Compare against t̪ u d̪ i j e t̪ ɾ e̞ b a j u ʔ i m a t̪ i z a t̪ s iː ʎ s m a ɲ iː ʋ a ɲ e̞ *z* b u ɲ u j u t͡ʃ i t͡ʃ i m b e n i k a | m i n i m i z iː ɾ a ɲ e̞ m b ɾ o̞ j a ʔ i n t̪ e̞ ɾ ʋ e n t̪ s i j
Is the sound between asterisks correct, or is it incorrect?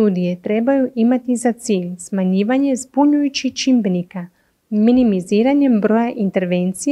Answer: correct